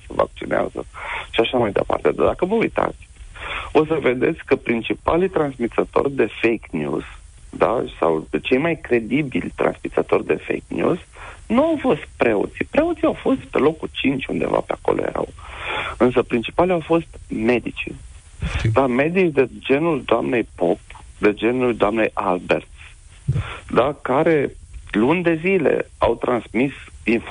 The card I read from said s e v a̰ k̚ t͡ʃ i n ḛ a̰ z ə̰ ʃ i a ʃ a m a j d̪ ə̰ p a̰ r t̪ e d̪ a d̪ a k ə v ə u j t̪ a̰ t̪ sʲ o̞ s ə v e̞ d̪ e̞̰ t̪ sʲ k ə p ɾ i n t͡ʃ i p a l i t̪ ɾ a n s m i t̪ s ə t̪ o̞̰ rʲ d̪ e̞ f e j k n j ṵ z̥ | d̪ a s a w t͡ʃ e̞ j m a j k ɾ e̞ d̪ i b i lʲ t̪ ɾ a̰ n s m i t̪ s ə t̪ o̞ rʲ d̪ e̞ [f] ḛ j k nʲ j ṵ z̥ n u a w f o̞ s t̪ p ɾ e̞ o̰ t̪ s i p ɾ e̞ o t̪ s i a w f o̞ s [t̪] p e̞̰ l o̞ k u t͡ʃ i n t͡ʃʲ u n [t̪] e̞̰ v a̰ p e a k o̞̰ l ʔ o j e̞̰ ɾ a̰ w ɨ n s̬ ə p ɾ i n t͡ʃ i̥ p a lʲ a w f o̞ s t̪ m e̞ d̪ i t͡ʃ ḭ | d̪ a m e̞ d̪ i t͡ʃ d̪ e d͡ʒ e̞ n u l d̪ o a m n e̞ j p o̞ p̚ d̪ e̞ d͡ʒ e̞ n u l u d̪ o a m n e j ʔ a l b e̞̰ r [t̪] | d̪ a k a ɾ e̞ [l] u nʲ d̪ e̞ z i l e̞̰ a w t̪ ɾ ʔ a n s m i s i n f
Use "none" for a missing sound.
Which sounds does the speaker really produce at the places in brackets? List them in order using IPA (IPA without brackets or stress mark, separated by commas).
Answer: f, t̪, d̪, t̪, l